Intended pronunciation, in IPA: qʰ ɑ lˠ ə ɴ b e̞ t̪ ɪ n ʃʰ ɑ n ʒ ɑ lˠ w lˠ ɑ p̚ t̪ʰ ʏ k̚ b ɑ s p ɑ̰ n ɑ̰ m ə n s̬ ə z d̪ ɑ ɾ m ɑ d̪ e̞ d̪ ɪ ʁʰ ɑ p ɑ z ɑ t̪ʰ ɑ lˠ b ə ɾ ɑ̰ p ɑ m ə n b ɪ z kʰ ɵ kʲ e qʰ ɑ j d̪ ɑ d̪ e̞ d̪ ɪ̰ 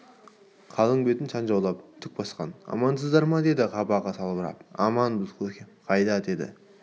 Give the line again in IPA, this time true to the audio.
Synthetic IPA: qʰ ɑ lˠ ə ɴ b e̞ t̪ ɪ n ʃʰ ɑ n ʒ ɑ w lˠ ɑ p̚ t̪ʰ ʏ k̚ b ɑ s q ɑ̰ n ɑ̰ m ɑ n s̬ ə z d̪ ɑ ɾ m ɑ d̪ e̞ d̪ ɪ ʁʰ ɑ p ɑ ʁ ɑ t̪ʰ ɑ lˠ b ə ɾ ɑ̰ p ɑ m ɑ n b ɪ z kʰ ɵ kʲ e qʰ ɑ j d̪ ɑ d̪ e̞ d̪ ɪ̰

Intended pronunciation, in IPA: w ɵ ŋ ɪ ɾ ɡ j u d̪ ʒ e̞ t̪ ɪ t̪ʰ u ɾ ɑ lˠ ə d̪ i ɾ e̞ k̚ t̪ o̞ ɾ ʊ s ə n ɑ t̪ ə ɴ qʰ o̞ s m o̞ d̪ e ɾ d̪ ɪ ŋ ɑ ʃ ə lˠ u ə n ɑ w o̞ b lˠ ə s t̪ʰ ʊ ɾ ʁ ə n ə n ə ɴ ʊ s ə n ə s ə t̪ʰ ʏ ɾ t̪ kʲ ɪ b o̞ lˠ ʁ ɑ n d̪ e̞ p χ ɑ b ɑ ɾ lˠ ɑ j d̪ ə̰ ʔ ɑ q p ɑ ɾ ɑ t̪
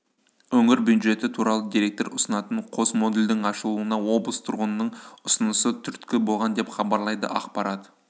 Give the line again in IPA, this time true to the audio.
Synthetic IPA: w ɵ ŋ ɪ ɾ b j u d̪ ʒ e̞ t̪ ɪ t̪ʰ u ɾ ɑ lˠ ə d̪ i ɾ e̞ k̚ t̪ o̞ ɾ ʊ s ə n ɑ t̪ ə ɴ qʰ o̞ s m o̞ d̪ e l d̪ ɪ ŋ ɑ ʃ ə lˠ u ə n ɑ w o̞ b lˠ ə s t̪ʰ ʊ ɾ ʁ ə n ə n ə ɴ ʊ s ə n ə s ə t̪ʰ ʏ ɾ t̪ kʲ ɪ b o̞ lˠ ʁ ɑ n d̪ e̞ p χ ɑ b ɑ ɾ lˠ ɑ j d̪ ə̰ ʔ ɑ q p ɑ ɾ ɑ t̪

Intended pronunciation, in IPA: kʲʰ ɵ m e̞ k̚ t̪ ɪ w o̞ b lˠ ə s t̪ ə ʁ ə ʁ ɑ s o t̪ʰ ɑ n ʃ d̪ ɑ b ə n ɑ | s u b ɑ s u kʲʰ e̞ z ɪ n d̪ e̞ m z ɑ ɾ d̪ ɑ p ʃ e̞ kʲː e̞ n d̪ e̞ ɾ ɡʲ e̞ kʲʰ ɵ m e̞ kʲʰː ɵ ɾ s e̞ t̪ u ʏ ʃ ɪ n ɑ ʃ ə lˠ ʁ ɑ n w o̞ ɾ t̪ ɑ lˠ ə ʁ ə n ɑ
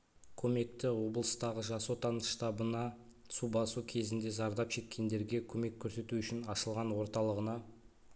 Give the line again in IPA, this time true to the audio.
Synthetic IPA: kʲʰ ɵ m e̞ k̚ t̪ ɪ w o̞ b lˠ ə s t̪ ɑ ʁ ə ʒ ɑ s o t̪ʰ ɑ n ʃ t̪ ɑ b ə n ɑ | s u b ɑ s u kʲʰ e̞ z ɪ n d̪ e̞ z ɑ ɾ d̪ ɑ p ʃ e̞ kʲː e̞ n d̪ e̞ ɾ ɡʲ e̞ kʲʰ ɵ m e̞ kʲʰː ɵ ɾ s e̞ t̪ u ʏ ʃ ɪ n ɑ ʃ ə lˠ ʁ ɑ n w o̞ ɾ t̪ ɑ lˠ ə ʁ ə n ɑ

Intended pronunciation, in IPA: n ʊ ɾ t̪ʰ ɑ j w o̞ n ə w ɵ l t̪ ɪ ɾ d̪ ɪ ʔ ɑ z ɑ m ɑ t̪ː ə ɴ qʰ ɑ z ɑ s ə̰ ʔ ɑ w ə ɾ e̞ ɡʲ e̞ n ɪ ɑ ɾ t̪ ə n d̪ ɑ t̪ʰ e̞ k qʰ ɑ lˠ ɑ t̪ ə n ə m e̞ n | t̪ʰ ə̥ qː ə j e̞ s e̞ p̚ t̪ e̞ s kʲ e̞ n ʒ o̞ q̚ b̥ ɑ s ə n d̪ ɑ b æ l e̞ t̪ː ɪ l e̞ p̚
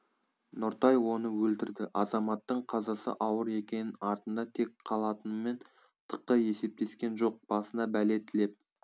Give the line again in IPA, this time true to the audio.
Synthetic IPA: n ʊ ɾ t̪ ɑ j w o̞ n ə w ɵ l t̪ ɪ ɾ d̪ ɪ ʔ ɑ z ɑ m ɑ t̪ː ə ɴ qʰ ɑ z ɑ s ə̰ ʔ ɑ w ə ɾ e̞ kʲ e̞ n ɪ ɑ ɾ t̪ ə n d̪ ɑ t̪ʰ e̞ k qʰ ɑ lˠ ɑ t̪ ə n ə m e̞ n | t̪ʰ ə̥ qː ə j e̞ s e̞ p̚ t̪ e̞ s kʲ e̞ n ʒ o̞ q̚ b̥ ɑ s ə n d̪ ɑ b æ l e̞ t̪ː ɪ l e̞ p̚

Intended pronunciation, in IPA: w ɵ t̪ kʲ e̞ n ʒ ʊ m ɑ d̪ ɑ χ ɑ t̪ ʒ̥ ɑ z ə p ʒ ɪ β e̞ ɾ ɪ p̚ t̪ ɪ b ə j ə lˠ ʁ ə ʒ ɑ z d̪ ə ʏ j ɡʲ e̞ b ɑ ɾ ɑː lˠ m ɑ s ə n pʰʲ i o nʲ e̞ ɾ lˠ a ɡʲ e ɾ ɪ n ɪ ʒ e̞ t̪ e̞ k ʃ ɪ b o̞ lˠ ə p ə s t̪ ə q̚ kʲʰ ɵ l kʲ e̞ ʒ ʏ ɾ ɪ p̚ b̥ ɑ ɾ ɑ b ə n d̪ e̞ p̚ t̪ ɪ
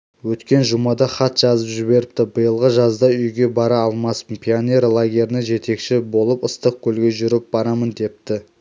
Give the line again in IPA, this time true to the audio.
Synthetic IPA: w ɵ t̪ kʲ e̞ n ʒ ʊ m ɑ d̪ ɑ χ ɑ t̪ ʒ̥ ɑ z ə p ʒ ɪ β e̞ ɾ ɪ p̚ t̪ ɪ b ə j ə lˠ ʁ ə ʒ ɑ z d̪ ɑ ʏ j ɡʲ e̞ b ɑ ɾ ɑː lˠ m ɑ s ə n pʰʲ i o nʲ e̞ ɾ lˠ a ɡʲ e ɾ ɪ n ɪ ʒ e̞ t̪ e̞ k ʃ ɪ b o̞ lˠ ə p ə s t̪ ə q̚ kʲʰ ɵ l ɡʲ e̞ ʒ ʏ ɾ ɪ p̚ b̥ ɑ ɾ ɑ m ə n d̪ e̞ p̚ t̪ ɪ

